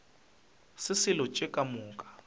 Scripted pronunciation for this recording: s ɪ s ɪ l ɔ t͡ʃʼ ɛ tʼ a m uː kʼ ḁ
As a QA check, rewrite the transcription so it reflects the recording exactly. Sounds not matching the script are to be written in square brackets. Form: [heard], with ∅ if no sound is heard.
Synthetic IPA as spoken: s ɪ s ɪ l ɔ t͡ʃʼ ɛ [kʼ] a m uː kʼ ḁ

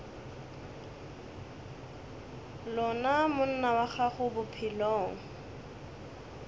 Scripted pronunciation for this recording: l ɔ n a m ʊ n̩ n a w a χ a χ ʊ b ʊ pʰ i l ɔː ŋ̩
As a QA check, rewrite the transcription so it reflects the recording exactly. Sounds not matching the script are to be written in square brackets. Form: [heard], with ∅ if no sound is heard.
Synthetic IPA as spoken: l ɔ n a m ʊ n̩ n a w a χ a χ ʊ b ʊ pʰ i l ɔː ŋ̩

